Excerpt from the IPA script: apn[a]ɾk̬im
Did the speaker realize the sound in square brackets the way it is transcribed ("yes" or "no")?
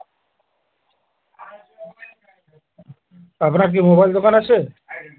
yes